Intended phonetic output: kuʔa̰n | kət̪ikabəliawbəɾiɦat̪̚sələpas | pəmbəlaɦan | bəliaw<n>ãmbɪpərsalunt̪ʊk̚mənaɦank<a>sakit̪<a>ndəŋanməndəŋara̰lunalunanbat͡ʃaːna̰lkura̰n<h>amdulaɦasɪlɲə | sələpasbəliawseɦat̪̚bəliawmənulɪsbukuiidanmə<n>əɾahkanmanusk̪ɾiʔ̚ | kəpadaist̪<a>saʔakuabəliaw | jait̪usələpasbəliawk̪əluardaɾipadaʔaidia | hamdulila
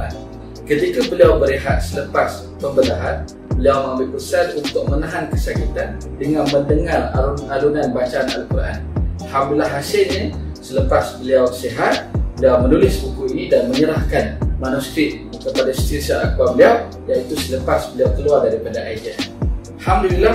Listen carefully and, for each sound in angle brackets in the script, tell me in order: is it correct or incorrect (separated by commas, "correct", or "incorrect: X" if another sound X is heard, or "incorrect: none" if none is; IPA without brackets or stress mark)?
incorrect: m, incorrect: ə, correct, correct, incorrect: ɲ, incorrect: i